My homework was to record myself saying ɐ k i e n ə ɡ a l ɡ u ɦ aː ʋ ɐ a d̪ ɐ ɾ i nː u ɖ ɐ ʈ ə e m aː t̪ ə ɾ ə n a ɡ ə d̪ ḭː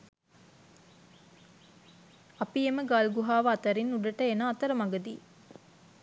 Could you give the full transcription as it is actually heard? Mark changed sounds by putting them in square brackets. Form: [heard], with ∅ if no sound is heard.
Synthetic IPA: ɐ [p] i e [m] ə ɡ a l ɡ u ɦ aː ʋ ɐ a [t̪] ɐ ɾ i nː u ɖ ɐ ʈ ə e [n] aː t̪ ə ɾ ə [m] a ɡ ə d̪ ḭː